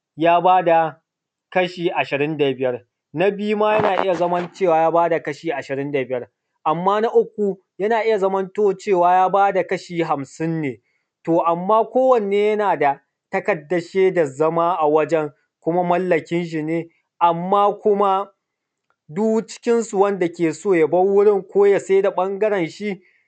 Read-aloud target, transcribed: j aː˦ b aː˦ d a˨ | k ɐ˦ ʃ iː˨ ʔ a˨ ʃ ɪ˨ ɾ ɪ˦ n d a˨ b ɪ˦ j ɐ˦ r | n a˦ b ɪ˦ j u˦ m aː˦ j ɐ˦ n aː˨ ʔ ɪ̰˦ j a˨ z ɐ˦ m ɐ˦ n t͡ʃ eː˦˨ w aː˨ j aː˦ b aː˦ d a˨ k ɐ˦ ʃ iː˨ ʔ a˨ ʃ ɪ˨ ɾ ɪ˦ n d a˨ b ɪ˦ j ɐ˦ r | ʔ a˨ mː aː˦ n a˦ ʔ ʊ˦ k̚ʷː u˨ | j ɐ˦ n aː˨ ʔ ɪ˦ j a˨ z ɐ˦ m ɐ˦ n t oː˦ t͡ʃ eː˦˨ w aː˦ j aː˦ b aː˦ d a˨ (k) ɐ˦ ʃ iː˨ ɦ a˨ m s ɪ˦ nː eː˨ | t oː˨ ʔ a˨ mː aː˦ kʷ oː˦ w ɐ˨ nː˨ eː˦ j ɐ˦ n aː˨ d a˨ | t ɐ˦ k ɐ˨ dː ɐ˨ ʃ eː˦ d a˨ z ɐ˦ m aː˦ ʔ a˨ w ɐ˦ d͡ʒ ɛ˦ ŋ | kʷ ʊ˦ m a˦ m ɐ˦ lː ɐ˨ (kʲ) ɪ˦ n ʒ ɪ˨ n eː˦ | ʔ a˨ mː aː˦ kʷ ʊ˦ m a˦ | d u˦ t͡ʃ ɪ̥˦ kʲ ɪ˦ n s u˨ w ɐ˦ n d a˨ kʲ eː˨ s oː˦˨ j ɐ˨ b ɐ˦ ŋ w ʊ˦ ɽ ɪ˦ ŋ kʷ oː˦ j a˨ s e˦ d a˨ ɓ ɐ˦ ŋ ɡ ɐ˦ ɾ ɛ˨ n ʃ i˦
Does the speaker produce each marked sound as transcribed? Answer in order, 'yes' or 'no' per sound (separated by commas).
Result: yes, yes